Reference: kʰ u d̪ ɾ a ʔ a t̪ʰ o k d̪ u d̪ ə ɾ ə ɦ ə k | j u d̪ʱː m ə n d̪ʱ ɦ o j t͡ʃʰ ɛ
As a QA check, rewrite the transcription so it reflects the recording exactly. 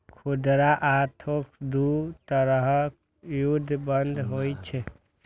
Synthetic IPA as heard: kʰ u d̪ ɾ a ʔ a t̪ʰ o k d̪ u t̪ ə ɾ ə ɦ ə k | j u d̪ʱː b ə n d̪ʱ ɦ o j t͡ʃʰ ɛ